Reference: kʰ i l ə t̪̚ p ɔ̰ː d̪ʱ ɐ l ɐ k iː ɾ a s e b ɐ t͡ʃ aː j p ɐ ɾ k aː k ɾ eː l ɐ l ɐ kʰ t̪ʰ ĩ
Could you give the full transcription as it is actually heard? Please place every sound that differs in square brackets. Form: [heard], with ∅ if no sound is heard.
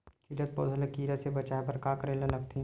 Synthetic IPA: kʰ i l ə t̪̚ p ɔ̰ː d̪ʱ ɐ l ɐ k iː ɾ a s e b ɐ t͡ʃ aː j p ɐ ɾ k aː k ɾ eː l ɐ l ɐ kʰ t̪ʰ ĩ